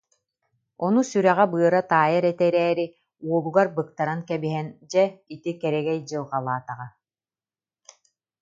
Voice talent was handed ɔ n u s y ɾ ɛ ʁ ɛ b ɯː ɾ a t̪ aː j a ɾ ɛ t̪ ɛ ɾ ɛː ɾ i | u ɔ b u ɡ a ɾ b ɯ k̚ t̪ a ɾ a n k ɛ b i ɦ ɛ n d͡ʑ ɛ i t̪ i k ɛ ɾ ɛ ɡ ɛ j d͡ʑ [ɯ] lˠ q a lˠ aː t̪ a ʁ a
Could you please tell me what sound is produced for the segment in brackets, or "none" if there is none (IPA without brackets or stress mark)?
ɯ